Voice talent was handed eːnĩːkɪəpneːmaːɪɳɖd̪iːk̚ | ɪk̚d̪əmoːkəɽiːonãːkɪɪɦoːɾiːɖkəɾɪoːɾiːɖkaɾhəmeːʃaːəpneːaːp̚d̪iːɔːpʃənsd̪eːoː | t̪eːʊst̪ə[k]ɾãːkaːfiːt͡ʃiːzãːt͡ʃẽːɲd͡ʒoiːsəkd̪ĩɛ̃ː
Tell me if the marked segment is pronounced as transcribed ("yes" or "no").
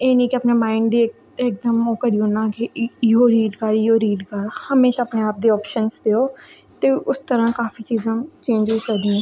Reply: no